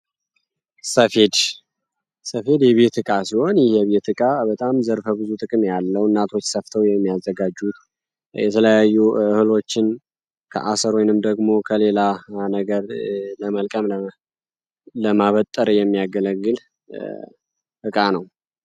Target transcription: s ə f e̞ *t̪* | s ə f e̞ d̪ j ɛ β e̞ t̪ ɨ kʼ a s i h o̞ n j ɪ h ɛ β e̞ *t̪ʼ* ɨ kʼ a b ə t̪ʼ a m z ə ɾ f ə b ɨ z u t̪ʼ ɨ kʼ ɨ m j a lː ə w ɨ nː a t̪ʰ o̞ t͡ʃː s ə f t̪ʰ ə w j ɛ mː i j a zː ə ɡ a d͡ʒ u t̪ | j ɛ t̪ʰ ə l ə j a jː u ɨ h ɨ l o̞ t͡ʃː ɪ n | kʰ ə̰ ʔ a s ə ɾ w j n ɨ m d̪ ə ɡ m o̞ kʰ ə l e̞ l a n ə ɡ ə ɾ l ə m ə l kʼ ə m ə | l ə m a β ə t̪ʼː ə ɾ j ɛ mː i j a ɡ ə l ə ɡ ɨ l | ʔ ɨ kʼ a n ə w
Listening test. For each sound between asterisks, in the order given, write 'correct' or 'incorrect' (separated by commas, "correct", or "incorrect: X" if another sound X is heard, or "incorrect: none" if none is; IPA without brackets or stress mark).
incorrect: d̪, incorrect: t̪